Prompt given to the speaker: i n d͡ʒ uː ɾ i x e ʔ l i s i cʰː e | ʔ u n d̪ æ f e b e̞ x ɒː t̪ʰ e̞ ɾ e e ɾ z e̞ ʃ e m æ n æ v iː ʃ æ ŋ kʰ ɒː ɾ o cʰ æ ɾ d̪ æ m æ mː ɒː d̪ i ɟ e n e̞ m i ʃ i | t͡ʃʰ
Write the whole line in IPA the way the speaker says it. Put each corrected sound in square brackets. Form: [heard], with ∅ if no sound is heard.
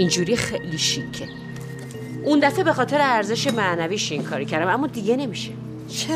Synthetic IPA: i n d͡ʒ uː ɾ i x e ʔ l i [ʃ] i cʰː e | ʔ u n d̪ æ f e b e̞ x ɒː t̪ʰ e̞ ɾ e [æ] ɾ z e̞ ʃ e m æ n æ v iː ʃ [i] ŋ kʰ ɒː ɾ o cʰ æ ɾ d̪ æ m æ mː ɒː d̪ i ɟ e n e̞ m i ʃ [e] | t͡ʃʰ